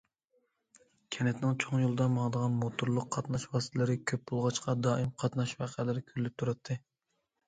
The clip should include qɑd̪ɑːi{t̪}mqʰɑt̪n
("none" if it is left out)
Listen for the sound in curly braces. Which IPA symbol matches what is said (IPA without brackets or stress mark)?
none